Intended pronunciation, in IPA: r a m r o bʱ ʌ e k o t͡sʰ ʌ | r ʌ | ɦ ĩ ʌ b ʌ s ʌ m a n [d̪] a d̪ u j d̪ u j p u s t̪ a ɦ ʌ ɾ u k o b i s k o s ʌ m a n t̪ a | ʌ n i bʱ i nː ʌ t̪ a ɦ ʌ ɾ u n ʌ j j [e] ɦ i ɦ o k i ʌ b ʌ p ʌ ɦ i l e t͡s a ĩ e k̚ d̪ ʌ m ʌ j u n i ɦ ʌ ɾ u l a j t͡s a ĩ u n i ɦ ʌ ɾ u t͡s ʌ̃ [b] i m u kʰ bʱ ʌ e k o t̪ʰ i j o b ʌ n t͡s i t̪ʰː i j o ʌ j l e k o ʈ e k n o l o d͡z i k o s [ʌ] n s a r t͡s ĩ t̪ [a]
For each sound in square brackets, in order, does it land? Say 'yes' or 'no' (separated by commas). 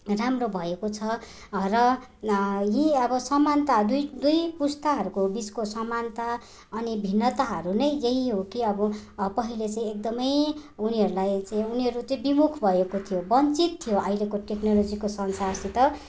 no, yes, yes, yes, no